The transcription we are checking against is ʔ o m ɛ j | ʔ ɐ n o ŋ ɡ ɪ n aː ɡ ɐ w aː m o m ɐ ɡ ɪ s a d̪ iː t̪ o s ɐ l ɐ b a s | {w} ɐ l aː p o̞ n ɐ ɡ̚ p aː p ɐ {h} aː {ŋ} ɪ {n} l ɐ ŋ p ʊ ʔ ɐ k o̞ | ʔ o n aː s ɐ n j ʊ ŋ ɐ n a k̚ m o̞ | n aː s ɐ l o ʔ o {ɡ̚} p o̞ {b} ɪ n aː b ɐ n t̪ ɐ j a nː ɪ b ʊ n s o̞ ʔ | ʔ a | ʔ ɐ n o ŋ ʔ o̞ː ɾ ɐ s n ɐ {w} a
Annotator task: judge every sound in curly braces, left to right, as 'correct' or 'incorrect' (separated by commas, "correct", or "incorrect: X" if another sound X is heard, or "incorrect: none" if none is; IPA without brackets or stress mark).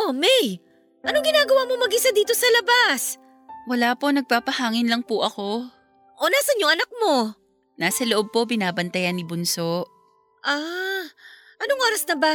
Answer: correct, correct, correct, correct, incorrect: b̚, correct, incorrect: b